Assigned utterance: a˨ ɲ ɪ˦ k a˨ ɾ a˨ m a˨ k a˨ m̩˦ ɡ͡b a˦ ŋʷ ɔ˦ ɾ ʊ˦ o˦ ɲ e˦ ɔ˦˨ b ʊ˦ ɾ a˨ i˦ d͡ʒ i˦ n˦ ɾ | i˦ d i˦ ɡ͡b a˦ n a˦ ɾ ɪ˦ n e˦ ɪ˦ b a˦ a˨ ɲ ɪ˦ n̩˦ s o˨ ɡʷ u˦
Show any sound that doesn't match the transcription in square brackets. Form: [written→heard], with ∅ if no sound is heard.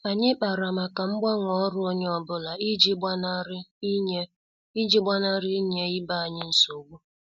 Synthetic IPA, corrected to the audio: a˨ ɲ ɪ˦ [k→k͡p] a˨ ɾ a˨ m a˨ k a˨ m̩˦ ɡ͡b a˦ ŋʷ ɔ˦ ɾ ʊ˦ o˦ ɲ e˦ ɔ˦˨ b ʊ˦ [ɾ→l] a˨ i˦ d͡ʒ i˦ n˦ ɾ | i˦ [d→d͡ʒ] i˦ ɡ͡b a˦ n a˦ ɾ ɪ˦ [n→ɲ] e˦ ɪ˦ b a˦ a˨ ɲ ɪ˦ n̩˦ s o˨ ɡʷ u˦